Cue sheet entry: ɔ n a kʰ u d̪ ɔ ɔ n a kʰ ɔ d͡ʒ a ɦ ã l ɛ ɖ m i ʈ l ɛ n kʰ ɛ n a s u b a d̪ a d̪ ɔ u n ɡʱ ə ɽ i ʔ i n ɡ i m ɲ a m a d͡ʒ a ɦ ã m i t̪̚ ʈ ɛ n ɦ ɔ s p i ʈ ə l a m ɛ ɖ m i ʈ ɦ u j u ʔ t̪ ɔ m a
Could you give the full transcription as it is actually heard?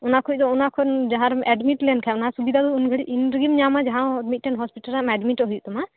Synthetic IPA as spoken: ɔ n a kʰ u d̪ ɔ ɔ n a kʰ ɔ d͡ʒ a ɦ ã ɾ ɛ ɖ m i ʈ l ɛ n kʰ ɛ n a s u b i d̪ a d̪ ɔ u n ɡʱ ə ɽ i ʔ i n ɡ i m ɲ a m a d͡ʒ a ɦ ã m i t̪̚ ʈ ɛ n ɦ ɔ s p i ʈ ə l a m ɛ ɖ m i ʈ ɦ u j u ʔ t̪ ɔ m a